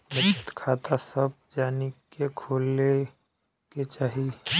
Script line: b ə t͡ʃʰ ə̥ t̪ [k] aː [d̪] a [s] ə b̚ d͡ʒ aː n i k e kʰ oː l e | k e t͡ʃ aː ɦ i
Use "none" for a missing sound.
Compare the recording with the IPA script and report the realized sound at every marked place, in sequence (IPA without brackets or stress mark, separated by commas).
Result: kʰ, t̪, s